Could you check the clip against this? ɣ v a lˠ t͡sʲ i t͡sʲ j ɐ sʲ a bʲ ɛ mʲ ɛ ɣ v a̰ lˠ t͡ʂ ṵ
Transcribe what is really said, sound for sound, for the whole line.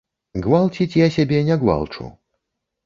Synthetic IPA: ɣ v a lˠ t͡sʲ i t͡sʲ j a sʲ a bʲ ɛ nʲ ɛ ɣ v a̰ lˠ t͡ʂ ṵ